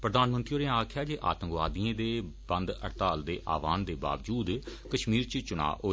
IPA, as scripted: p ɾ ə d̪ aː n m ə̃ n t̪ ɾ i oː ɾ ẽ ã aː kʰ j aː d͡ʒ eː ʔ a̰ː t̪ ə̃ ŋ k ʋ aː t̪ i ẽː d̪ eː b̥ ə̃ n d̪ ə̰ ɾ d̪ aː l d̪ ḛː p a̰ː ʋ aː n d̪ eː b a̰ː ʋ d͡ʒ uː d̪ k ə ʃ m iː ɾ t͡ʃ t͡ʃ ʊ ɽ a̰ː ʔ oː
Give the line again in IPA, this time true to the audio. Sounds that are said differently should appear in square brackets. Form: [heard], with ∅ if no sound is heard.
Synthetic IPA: p ɾ ə d̪ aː n m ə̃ n t̪ ɾ i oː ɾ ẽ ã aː kʰ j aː d͡ʒ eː ʔ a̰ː t̪ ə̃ ŋ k ʋ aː [d̪] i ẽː d̪ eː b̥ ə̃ n d̪ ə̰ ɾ [t̪] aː l d̪ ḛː [ʔ] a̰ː ʋ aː n d̪ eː b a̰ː ʋ d͡ʒ uː d̪ k ə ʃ m iː ɾ t͡ʃ t͡ʃ ʊ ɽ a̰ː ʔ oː